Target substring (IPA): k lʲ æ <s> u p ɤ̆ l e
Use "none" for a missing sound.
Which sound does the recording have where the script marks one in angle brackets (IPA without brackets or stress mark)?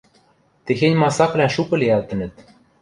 ʃ